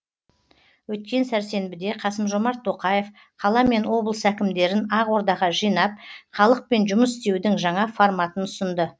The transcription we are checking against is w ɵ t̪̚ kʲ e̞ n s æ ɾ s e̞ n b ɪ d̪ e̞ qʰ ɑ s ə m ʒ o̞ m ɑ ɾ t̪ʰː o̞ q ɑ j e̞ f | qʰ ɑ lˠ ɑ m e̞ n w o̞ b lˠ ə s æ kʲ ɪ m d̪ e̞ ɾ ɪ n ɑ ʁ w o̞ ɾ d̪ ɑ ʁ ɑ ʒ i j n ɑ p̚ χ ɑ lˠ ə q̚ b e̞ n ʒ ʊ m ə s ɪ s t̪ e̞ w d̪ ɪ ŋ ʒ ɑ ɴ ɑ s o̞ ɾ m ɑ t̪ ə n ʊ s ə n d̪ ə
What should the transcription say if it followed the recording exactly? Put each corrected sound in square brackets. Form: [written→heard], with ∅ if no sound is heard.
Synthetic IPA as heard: w ɵ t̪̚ kʲ e̞ n s æ ɾ s e̞ n b ɪ d̪ e̞ qʰ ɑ s ə m ʒ o̞ m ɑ ɾ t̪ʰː o̞ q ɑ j e̞ f | qʰ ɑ lˠ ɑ m e̞ n w o̞ b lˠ ə s æ kʲ ɪ m d̪ e̞ ɾ ɪ n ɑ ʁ w o̞ ɾ d̪ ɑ ʁ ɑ ʒ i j n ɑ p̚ χ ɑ lˠ ə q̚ [b→p] e̞ n ʒ ʊ m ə s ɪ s t̪ e̞ w d̪ ɪ ŋ ʒ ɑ ɴ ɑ [s→f] o̞ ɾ m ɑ t̪ ə n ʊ s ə n d̪ ə